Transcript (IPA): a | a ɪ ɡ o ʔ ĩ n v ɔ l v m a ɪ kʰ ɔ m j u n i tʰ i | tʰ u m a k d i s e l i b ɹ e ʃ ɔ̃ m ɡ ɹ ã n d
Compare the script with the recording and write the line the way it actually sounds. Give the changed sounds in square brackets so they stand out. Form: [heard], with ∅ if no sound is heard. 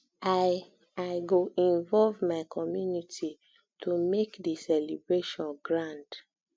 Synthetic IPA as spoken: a | a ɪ ɡ o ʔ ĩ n v ɔ l v m a ɪ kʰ ɔ m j u n i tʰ i | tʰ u m [e] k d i s [ɛ] l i b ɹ e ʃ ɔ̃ [n] ɡ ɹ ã n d